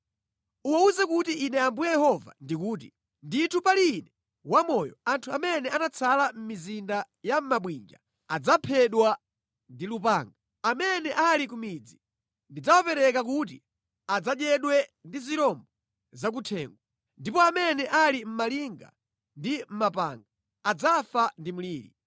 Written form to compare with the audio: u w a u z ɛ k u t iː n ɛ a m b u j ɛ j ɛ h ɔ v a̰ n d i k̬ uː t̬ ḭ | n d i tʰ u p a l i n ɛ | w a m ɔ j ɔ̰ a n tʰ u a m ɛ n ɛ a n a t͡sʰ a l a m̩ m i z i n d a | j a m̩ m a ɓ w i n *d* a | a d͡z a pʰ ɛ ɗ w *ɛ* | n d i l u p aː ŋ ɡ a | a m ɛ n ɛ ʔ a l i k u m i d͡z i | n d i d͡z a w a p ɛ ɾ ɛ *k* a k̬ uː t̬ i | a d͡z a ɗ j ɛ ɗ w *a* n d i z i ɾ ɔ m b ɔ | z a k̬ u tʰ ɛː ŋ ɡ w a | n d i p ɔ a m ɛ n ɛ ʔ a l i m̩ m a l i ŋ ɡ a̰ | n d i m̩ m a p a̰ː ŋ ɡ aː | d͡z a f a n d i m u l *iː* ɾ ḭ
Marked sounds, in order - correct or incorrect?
incorrect: d͡ʒ, incorrect: a, correct, incorrect: ɛ, correct

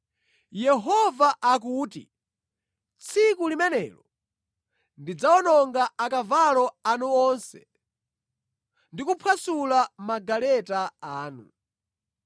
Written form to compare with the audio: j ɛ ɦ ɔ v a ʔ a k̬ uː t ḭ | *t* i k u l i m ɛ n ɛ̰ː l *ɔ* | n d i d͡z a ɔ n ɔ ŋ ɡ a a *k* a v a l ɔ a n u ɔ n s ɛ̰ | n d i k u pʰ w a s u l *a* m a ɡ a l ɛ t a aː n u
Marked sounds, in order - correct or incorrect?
incorrect: t͡sʰ, correct, correct, correct

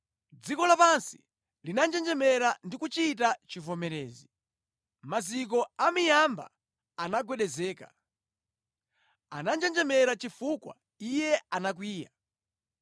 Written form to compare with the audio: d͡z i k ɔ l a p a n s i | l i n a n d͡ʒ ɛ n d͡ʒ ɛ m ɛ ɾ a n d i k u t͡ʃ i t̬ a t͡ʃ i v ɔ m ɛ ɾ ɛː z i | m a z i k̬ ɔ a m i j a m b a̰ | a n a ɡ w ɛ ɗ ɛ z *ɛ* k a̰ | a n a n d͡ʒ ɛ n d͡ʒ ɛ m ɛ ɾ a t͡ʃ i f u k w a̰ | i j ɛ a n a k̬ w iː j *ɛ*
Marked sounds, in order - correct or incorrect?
incorrect: ɛː, incorrect: a

